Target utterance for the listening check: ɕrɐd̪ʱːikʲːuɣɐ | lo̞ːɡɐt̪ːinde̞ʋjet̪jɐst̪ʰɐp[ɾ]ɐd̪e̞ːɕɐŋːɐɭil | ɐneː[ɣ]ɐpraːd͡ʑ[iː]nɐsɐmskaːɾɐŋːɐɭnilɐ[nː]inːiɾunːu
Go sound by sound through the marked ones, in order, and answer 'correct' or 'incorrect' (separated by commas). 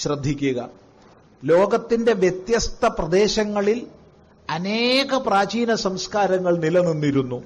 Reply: incorrect, correct, correct, incorrect